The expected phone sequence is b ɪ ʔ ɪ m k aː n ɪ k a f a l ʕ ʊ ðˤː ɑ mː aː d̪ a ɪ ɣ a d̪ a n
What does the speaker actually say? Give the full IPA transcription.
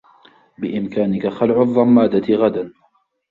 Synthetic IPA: b ɪ ʔ ɪ m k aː n ɪ k a x a l ʕ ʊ ðˤː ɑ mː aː d̪ a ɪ ɣ a d̪ a n

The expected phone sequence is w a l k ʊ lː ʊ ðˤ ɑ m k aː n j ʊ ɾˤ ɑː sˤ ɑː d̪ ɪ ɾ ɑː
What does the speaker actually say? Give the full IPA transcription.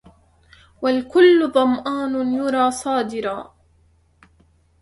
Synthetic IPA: w a l k ʊ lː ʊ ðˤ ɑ m ʔ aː n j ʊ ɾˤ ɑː sˤ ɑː d̪ ɪ ɾ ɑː

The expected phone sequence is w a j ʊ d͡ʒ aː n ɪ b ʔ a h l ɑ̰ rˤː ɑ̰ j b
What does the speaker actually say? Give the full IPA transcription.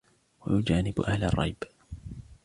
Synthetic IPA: w a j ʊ d͡ʒ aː n ɪ b ʔ a h l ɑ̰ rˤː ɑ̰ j b

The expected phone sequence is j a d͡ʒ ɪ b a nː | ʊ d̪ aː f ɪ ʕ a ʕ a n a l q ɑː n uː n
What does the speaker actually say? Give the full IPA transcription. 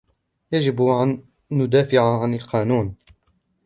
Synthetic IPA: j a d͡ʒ ɪ b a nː | ʊ d̪ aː f ɪ ʕ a ʕ a n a l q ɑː n uː n

